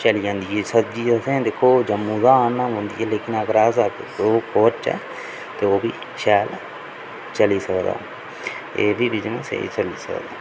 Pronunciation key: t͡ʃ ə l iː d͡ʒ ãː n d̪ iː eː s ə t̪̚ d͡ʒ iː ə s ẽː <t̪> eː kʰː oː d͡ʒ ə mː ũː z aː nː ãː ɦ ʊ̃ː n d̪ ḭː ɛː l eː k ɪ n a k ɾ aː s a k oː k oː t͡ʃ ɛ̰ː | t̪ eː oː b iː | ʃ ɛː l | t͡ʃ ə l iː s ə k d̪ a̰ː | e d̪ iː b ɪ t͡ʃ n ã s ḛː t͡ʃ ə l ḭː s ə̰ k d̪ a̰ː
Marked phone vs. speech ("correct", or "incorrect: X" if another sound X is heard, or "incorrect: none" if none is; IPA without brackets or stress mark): incorrect: d̪